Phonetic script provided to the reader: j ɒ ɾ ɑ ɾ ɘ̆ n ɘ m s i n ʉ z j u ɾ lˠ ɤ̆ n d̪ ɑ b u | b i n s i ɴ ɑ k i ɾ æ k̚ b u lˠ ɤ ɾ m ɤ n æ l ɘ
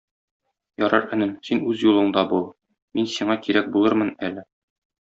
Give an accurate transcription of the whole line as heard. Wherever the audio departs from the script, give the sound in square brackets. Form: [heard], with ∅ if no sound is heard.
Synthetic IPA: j ɒ ɾ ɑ ɾ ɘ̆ n ɘ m s i n ʉ z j u [∅] lˠ ɤ̆ [ɴ] d̪ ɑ b u | [m] i n s i ɴ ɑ k i ɾ æ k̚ b u lˠ ɤ ɾ m ɤ n æ l ɘ